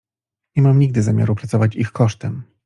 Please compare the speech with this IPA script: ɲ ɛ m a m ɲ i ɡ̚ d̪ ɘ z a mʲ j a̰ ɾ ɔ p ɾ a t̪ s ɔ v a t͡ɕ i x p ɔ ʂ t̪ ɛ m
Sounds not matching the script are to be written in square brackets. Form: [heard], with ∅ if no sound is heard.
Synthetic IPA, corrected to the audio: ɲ ɛ m a m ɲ i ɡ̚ d̪ ɘ z a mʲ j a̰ ɾ [u] p ɾ a t̪ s ɔ v a t͡ɕ i x [k] ɔ ʂ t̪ ɛ m